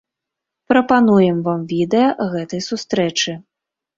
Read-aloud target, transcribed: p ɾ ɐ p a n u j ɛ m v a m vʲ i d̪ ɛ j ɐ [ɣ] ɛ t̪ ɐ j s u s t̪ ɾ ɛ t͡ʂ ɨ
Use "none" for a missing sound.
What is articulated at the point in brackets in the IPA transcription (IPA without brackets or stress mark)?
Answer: ɣ